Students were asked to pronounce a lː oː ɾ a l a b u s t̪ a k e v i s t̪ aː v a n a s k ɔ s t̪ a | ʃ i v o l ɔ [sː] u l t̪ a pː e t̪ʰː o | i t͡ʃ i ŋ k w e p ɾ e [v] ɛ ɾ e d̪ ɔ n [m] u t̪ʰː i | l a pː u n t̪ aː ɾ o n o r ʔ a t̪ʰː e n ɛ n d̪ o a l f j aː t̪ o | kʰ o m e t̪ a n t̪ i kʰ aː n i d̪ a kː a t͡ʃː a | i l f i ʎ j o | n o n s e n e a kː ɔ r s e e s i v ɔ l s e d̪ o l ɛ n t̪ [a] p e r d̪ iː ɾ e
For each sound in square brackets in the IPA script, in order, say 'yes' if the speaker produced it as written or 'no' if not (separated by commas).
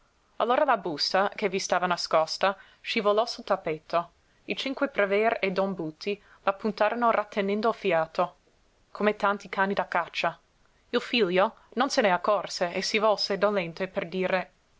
no, yes, no, no